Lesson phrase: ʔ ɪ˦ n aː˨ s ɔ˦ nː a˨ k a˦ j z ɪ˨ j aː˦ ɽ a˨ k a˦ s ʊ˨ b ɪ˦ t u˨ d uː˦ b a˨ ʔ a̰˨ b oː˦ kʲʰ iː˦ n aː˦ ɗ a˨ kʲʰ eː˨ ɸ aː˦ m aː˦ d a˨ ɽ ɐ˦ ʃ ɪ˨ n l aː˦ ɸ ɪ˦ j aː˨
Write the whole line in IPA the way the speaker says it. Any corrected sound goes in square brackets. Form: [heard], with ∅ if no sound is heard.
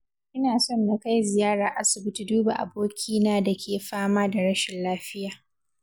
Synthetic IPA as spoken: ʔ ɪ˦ n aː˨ s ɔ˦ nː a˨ k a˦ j z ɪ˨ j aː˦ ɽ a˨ [ʔ] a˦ s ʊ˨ b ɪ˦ t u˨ d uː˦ b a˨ ʔ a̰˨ b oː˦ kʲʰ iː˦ n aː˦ [d] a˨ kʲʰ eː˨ ɸ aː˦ m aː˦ d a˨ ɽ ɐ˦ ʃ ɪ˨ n l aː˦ ɸ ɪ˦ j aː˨